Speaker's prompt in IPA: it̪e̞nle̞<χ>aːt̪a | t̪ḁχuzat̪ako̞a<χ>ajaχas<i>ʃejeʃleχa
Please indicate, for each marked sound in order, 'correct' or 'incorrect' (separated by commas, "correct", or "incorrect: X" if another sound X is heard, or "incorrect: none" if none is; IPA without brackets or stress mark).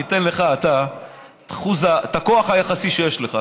correct, correct, correct